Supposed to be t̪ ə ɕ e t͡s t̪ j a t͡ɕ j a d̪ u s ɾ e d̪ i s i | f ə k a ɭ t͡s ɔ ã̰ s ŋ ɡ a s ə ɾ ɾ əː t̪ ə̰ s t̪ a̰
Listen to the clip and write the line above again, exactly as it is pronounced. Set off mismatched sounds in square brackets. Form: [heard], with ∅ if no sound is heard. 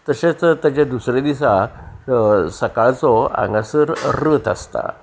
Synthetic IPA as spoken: t̪ ə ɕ e t͡s t̪ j a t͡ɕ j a d̪ u s ɾ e d̪ i s [a] | [s] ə k a ɭ t͡s ɔ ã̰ [∅] ŋ ɡ a s ə ɾ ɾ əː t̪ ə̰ s t̪ a̰